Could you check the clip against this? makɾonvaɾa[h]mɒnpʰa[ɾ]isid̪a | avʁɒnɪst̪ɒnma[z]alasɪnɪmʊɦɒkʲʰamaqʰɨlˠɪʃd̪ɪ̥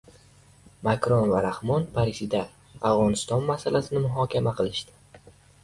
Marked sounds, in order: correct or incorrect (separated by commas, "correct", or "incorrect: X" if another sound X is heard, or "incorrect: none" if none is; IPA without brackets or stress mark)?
correct, correct, incorrect: s